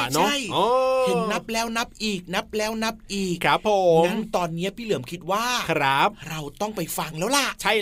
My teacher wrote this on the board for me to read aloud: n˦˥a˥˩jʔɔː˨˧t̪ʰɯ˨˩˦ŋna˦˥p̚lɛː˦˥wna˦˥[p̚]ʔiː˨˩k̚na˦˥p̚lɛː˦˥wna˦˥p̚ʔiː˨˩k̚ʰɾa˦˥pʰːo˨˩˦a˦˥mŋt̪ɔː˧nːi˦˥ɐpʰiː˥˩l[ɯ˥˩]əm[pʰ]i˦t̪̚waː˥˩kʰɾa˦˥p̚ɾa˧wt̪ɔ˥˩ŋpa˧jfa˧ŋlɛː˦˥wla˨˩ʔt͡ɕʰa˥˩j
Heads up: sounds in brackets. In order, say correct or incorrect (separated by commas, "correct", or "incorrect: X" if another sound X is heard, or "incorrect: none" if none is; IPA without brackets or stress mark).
correct, incorrect: ɯ˩˦, incorrect: kʰ